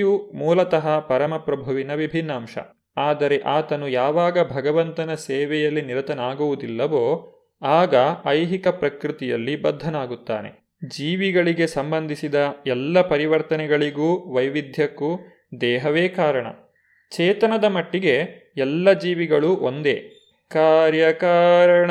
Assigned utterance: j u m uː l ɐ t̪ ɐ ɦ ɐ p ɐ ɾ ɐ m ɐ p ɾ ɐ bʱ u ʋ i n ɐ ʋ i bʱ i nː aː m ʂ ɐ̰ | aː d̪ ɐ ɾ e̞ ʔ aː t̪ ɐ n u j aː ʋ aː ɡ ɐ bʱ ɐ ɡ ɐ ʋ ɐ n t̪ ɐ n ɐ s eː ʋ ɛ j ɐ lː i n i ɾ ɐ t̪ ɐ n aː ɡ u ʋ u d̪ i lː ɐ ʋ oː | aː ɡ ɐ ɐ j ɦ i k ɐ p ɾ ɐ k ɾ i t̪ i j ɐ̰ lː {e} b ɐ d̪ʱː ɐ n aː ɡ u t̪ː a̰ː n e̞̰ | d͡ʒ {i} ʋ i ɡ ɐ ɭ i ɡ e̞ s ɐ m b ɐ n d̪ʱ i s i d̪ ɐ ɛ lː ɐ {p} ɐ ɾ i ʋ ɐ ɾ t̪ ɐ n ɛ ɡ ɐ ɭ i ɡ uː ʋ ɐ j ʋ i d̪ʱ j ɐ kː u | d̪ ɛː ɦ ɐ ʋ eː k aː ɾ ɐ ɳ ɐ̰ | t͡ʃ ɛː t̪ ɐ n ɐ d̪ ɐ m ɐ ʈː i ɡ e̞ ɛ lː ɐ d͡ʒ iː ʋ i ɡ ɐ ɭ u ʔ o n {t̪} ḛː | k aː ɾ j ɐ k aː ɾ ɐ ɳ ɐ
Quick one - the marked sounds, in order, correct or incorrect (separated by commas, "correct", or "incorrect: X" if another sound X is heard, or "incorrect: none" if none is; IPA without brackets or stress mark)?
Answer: incorrect: i, incorrect: iː, correct, incorrect: d̪